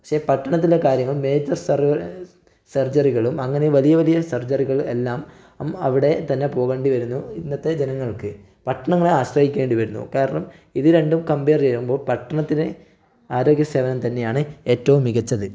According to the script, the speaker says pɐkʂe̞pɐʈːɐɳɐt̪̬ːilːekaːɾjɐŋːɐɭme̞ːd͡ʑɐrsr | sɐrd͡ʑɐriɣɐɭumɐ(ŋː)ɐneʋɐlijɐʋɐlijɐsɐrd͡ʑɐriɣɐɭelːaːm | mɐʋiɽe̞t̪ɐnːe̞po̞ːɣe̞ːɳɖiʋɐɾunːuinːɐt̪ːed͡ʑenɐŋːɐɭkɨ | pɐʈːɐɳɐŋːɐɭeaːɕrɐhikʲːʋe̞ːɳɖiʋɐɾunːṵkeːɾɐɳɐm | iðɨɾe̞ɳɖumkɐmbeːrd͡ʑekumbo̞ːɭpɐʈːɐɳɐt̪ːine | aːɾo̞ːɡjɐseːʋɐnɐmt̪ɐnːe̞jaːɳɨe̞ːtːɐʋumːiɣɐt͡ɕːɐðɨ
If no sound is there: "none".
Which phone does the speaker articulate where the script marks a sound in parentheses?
ŋː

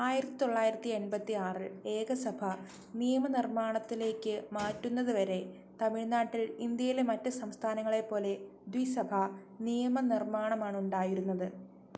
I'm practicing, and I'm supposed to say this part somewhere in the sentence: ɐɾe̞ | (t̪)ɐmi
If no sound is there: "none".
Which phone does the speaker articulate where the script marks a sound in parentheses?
t̪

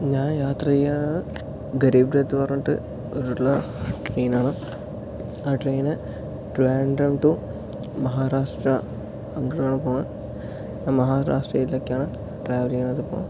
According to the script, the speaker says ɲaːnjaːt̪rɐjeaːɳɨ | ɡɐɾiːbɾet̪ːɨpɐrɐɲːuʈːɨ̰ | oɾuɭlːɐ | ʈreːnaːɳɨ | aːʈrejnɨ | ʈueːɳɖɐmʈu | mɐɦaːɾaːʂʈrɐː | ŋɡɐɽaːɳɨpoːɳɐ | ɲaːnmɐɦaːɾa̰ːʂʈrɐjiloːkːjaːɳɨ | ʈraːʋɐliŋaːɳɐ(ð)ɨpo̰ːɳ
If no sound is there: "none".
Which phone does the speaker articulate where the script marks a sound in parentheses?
ð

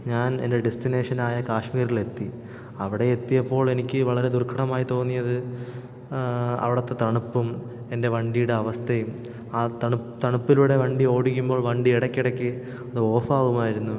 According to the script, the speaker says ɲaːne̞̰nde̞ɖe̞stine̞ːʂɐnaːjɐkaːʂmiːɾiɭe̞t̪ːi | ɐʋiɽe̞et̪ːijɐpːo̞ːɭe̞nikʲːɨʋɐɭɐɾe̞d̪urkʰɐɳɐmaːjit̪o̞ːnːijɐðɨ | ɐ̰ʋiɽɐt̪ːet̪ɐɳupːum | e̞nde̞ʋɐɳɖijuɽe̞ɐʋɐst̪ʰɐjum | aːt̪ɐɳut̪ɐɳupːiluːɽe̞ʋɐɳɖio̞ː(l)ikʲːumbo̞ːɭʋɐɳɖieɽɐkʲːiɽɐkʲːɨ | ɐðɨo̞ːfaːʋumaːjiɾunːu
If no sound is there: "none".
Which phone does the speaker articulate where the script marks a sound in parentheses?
ɽ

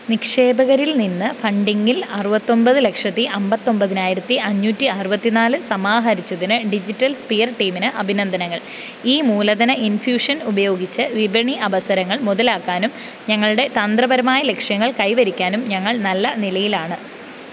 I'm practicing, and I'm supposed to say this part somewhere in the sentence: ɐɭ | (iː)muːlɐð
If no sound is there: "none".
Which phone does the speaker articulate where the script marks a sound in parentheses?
iː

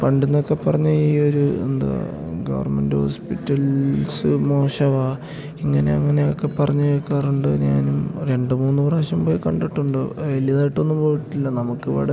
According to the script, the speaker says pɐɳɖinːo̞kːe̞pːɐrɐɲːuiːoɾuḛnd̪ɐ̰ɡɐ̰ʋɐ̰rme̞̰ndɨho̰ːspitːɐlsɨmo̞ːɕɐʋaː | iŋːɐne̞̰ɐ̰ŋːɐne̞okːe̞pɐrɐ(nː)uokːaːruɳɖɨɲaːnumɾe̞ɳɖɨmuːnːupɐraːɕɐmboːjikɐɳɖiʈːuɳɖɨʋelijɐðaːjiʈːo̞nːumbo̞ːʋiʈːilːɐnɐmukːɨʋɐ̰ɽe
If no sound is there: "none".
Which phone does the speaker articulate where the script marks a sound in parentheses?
ɲː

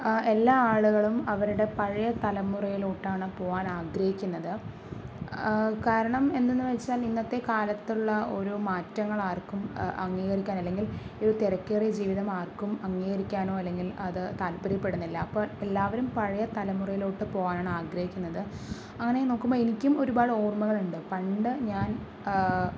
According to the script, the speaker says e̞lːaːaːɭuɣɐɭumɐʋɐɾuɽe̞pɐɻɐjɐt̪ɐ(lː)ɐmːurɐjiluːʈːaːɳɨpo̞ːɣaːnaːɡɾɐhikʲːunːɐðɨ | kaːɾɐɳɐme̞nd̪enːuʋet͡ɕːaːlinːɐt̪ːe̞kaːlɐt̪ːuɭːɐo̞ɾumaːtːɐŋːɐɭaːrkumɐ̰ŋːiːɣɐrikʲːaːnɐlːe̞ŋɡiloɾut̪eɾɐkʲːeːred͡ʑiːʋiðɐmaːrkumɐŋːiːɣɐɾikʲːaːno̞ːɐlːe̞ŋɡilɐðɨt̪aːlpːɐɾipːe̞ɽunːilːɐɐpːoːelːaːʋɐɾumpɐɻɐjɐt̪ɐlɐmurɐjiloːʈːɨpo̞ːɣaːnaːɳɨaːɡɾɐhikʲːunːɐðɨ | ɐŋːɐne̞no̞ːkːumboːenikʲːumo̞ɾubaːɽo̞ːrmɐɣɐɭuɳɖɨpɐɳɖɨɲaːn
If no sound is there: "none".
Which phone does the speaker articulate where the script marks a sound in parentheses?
l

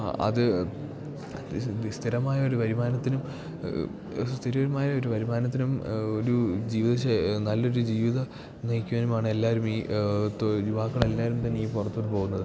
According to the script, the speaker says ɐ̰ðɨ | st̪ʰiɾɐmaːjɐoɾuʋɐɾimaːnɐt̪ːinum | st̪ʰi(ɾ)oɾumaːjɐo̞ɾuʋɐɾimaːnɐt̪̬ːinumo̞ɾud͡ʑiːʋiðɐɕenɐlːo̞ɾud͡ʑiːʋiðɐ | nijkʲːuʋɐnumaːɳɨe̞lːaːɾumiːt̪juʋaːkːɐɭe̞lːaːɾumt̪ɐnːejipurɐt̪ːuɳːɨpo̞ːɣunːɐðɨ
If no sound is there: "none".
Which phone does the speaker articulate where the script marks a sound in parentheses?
ɾ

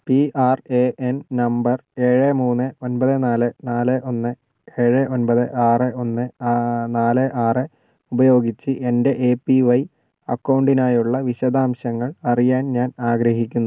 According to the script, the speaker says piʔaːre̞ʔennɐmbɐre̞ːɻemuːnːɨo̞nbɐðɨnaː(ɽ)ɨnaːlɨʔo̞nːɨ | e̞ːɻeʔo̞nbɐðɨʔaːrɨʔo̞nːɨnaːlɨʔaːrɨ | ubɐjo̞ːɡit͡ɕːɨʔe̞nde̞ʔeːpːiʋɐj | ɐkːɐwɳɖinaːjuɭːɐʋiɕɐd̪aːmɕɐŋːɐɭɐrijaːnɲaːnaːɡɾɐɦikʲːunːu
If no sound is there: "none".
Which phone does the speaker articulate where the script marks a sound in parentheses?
l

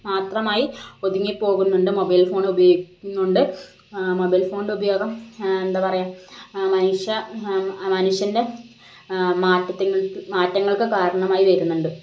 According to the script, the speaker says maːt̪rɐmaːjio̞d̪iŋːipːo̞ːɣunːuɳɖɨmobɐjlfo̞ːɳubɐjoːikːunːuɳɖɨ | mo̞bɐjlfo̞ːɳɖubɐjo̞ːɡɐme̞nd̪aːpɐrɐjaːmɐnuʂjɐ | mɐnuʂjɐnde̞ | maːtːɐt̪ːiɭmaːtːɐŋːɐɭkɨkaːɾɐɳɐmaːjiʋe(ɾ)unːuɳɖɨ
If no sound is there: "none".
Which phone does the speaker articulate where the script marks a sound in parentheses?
ɾ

